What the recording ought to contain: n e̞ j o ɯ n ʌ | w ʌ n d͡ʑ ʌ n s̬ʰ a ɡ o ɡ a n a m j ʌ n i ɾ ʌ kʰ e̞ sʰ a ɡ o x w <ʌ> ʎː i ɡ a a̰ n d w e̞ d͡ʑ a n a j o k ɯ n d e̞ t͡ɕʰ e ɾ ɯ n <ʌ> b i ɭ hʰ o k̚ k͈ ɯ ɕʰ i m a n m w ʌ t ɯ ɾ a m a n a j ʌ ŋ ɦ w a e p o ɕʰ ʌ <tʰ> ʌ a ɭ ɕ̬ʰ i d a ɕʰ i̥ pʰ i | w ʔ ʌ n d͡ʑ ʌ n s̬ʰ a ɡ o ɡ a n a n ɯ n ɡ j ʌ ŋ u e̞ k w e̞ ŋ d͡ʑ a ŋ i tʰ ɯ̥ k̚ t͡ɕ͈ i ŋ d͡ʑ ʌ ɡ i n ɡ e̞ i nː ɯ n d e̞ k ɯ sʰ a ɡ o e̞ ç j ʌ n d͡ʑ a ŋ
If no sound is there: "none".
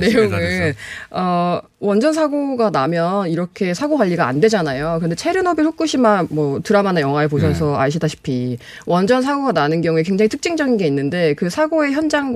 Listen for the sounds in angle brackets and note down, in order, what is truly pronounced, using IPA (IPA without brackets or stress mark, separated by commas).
a, ʌ, sʰ